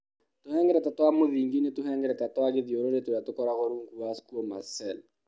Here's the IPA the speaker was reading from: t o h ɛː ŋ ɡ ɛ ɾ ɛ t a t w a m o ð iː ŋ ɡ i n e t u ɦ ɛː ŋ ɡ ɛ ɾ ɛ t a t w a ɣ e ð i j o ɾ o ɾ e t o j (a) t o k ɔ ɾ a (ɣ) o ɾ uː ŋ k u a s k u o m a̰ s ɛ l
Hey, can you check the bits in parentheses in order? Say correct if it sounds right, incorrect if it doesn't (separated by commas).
correct, correct